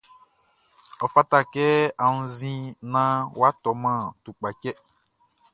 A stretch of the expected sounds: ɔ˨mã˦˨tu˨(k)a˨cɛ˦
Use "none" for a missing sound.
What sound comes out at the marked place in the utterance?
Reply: k͡p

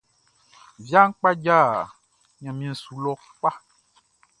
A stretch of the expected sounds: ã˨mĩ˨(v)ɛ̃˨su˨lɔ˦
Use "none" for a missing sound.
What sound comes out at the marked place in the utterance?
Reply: none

